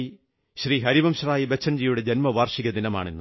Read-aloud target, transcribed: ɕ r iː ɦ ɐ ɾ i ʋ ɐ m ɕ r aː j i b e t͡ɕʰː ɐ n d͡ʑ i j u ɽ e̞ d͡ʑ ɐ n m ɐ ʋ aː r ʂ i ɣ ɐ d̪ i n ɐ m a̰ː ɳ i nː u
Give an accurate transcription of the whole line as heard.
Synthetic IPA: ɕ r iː ɦ ɐ ɾ i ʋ ɐ m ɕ r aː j i b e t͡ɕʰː ɐ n d͡ʑ i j u ɽ e̞ d͡ʑ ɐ n m ɐ ʋ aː r ʂ i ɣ ɐ d̪ i n ɐ m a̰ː ɳ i nː u